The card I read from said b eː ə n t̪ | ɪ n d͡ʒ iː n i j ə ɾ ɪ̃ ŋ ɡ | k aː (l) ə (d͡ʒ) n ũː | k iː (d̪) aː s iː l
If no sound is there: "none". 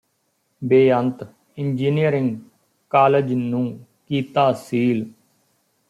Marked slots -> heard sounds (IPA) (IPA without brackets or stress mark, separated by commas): l, d͡ʒ, t̪